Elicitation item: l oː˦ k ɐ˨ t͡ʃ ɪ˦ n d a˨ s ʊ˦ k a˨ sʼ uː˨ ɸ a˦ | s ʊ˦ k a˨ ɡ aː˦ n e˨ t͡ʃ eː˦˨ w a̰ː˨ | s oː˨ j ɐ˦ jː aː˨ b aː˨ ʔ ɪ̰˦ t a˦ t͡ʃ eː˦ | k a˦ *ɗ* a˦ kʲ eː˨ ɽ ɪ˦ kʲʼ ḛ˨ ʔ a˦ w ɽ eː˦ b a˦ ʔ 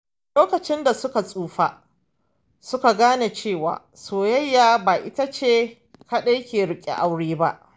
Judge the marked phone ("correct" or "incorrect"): correct